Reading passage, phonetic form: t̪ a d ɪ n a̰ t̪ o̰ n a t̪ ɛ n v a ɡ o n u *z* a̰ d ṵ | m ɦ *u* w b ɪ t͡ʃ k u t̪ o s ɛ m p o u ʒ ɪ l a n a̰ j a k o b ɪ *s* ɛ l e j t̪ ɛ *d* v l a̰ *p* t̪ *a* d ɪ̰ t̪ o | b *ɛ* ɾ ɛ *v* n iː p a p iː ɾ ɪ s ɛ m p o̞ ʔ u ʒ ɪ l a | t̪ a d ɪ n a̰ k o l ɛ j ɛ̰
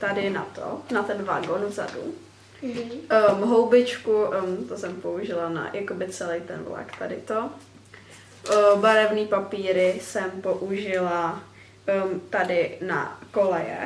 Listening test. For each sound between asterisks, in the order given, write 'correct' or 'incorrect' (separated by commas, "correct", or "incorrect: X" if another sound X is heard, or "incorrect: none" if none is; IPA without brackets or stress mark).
correct, incorrect: o, incorrect: t͡s, incorrect: n, incorrect: k, correct, incorrect: a, correct